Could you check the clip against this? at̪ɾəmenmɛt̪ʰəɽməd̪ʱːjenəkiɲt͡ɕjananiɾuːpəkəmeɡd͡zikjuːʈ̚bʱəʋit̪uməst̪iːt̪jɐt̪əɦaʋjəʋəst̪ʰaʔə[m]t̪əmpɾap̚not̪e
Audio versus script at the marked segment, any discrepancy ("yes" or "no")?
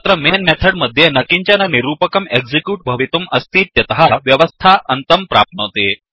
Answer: yes